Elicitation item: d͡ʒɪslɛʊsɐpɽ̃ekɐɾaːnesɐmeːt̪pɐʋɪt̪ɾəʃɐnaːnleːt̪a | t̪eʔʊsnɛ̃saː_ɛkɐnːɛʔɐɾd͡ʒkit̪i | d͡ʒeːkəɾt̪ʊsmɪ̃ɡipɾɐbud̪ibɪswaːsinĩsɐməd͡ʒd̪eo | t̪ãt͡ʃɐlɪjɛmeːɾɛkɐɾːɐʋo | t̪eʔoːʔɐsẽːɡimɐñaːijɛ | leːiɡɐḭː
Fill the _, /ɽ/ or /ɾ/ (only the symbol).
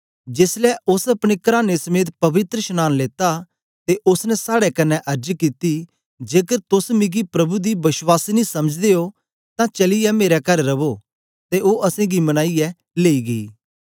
ɽ